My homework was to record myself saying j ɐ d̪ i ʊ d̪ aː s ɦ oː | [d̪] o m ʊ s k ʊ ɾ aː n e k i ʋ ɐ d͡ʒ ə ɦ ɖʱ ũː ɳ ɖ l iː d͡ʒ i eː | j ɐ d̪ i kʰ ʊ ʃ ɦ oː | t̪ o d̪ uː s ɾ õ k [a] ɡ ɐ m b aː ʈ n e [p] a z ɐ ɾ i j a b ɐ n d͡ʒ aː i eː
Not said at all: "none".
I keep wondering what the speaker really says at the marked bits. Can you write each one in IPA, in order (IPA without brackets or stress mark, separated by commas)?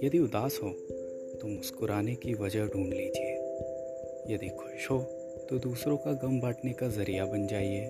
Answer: t̪, a, k